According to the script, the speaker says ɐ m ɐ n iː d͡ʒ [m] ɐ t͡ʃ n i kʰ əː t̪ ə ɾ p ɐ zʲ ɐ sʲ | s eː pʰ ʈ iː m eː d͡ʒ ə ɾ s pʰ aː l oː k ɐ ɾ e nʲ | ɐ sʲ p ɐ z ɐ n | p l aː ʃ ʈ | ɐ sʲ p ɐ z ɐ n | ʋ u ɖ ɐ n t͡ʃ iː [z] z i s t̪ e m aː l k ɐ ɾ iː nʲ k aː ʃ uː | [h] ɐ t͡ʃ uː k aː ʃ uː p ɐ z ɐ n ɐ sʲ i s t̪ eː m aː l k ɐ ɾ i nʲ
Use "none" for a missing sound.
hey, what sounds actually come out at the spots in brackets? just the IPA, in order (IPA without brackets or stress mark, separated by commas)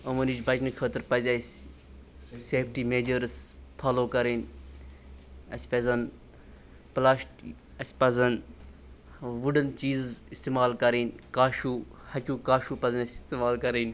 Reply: b, z, h